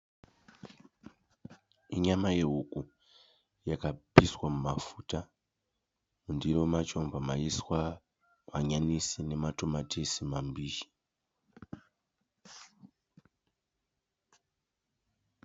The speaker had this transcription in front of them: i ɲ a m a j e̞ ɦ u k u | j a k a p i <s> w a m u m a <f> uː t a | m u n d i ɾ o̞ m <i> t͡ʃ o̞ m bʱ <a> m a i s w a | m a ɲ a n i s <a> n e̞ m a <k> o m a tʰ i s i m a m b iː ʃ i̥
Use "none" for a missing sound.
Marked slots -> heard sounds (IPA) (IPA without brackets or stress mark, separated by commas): s, f, a, a, i, t